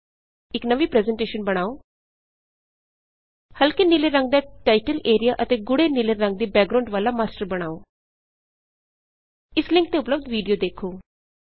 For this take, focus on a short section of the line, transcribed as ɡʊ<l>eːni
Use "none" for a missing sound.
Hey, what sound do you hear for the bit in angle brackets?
ɽ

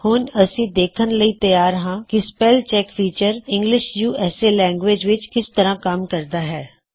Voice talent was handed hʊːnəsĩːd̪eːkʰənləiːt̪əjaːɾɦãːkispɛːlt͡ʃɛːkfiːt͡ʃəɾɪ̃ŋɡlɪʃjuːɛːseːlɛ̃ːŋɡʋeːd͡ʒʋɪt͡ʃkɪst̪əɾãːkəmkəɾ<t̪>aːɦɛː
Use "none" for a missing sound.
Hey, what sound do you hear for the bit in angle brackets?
d̪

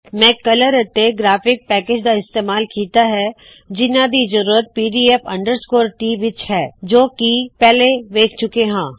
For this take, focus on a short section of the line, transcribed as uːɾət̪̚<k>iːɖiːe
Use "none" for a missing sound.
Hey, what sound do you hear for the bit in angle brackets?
p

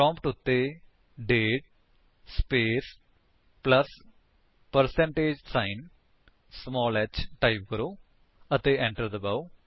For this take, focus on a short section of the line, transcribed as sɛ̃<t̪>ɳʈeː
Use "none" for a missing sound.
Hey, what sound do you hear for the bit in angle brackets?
none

